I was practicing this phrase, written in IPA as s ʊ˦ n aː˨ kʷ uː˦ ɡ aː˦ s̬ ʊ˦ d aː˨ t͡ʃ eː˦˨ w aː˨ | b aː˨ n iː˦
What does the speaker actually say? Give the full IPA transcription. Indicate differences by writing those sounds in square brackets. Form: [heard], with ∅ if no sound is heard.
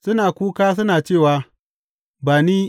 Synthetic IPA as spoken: s ʊ˦ n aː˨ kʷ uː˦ [k] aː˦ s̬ ʊ˦ [n] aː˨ t͡ʃ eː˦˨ w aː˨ | b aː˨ n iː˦